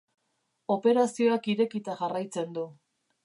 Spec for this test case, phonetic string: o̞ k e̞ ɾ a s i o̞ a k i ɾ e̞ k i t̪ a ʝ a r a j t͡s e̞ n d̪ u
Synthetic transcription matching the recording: o̞ p e̞ ɾ a s i o̞ a k i ɾ e̞ k i t̪ a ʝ a r a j t͡s e̞ n d̪ u